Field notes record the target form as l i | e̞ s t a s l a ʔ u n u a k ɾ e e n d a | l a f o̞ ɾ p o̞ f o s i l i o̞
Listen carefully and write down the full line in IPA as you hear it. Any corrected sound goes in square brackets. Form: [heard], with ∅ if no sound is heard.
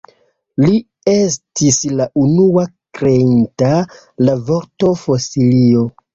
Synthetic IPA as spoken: l i | e̞ s t [i] s l a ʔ u n u a k ɾ e [i] n [t] a | l a [v] o̞ ɾ [t] o̞ f o s i l i o̞